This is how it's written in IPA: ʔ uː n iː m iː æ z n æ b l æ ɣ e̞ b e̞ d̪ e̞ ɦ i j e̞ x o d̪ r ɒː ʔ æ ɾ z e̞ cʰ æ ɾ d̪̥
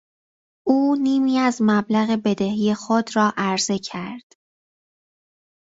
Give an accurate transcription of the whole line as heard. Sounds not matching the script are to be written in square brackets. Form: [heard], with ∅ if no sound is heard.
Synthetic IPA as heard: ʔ uː n iː m iː æ z [m] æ b l æ ɣ e̞ b e̞ d̪ e̞ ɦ i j e̞ x o d̪ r ɒː ʔ æ ɾ z e̞ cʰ æ ɾ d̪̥